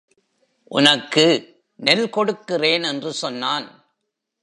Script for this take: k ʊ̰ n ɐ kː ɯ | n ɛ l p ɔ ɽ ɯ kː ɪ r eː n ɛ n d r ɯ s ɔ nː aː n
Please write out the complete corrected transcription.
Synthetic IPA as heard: ʔ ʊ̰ n ɐ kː ɯ | n ɛ l k ɔ ɽ ɯ kː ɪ r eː n ɛ n d r ɯ s ɔ nː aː n